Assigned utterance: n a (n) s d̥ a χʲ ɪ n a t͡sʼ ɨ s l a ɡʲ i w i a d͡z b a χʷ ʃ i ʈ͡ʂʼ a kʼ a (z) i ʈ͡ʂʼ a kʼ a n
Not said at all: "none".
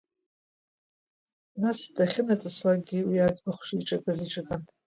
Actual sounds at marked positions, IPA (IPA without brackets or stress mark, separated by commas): none, z